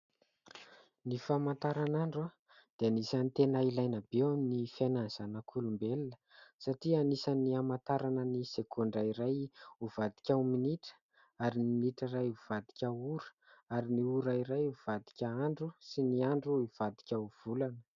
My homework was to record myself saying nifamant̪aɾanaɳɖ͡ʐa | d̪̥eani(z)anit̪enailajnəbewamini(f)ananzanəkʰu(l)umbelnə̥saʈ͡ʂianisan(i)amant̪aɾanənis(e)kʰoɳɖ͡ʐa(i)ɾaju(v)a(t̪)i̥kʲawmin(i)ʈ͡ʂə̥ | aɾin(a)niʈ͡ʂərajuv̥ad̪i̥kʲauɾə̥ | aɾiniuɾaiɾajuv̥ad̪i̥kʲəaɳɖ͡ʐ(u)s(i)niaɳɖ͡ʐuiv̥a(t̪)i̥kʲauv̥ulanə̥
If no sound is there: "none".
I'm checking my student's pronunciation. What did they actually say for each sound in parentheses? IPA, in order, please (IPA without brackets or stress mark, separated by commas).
s, f, l, i, e, i, v, d̪, i, i, u, i, d̪